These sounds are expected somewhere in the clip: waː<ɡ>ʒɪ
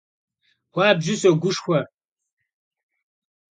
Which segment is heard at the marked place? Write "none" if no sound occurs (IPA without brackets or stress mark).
b